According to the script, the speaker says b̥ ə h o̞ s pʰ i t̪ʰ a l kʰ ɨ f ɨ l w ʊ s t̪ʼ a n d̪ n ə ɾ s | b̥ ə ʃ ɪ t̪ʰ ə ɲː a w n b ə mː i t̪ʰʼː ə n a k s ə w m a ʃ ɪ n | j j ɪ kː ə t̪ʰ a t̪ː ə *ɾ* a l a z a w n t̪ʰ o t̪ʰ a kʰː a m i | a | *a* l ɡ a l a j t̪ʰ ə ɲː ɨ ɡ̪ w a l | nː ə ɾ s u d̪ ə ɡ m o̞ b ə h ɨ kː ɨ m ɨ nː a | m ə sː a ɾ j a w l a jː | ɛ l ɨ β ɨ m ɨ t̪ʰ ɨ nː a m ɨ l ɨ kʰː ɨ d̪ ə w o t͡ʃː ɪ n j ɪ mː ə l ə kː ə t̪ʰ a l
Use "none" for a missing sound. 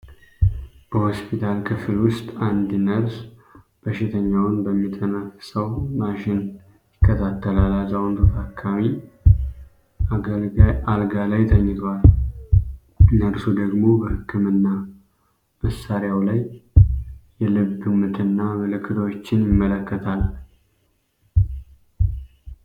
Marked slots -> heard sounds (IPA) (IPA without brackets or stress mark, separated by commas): l, a